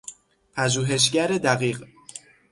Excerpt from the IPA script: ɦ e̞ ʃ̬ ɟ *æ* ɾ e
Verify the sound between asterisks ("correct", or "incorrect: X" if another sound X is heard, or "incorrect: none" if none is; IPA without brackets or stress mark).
correct